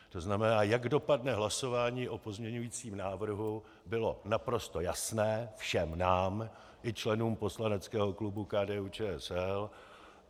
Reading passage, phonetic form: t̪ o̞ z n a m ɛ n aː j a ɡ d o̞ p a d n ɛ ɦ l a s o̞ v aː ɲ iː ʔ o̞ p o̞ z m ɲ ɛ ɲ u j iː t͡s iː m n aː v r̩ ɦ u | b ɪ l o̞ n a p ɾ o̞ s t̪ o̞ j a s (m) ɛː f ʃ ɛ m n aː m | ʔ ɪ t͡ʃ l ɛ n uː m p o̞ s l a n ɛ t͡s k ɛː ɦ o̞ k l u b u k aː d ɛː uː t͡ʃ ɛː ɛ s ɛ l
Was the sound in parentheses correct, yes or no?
no